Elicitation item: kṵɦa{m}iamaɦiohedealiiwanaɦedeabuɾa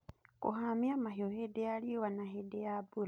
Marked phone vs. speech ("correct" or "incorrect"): correct